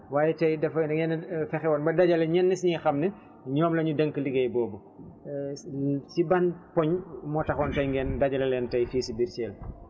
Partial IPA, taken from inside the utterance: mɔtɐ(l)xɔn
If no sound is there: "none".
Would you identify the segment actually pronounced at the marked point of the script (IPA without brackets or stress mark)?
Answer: none